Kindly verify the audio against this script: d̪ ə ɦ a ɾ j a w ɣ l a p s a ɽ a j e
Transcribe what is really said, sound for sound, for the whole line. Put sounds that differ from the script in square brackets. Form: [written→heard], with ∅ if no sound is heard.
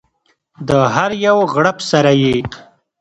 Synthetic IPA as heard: d̪ ə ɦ a ɾ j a w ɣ [l→ɽ] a p s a [ɽ→ɾ] a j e